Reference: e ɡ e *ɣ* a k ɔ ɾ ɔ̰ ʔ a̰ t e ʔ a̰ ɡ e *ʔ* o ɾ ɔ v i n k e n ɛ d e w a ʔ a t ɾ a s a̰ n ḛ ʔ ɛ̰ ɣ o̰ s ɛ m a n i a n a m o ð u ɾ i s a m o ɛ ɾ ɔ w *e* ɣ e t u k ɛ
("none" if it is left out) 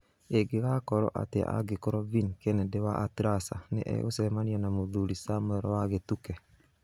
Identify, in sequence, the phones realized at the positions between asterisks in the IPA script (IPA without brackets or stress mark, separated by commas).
ɣ, k, a